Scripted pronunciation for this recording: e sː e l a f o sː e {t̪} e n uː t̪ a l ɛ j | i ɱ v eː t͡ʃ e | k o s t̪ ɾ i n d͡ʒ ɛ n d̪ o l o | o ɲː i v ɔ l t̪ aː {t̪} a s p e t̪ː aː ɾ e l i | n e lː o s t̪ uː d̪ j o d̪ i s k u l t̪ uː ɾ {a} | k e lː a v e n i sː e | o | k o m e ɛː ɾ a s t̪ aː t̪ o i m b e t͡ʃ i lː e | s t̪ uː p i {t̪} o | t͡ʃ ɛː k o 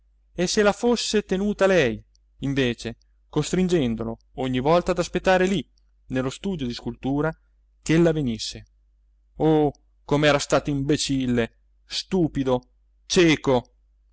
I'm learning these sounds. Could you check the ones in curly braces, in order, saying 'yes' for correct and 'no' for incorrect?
yes, no, yes, no

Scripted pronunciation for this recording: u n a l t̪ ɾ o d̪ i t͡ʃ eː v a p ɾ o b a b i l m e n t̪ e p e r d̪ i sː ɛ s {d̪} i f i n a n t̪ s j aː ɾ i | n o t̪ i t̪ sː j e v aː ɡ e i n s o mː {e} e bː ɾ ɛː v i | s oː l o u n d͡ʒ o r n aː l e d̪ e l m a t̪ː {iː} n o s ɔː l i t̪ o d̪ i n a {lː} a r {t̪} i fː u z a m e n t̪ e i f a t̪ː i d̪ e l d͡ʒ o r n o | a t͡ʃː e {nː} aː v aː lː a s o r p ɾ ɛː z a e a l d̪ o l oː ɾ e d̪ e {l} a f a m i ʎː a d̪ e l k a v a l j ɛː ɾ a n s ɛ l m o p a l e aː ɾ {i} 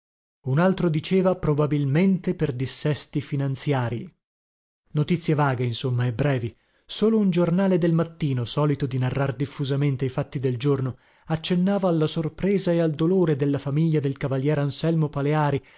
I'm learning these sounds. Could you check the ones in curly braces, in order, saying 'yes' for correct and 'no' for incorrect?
no, no, yes, no, no, yes, no, yes

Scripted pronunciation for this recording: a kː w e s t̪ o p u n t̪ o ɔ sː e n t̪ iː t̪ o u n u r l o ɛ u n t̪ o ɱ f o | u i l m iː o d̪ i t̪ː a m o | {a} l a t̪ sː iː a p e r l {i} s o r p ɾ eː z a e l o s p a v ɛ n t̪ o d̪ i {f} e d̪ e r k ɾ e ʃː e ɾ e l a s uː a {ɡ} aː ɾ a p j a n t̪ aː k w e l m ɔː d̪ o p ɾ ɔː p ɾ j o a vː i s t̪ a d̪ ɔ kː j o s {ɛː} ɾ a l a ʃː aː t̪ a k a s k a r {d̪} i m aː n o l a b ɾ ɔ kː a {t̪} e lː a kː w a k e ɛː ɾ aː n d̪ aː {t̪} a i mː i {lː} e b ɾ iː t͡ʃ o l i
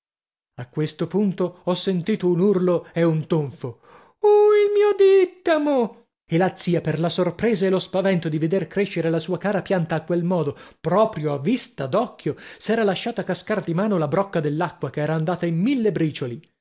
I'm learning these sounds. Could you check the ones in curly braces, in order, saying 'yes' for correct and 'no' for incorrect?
no, no, no, no, yes, yes, no, yes, yes

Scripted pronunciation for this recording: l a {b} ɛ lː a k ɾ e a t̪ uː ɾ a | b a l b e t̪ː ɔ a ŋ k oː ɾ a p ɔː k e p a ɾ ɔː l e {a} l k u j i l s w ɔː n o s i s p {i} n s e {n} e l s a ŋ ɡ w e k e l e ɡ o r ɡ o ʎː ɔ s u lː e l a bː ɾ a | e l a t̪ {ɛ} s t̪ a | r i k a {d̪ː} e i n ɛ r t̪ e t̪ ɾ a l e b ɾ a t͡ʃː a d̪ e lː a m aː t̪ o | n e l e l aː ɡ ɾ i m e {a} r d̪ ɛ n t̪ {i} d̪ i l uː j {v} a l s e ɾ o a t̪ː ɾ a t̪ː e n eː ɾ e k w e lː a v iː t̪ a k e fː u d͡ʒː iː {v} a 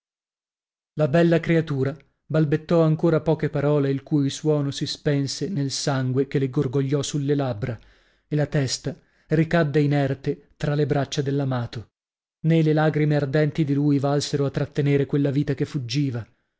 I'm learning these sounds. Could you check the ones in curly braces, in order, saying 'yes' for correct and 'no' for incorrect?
yes, no, no, yes, yes, yes, yes, yes, yes, yes

